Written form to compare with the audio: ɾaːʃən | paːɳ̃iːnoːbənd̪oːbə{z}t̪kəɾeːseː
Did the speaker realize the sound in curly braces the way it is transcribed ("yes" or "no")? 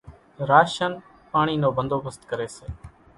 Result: no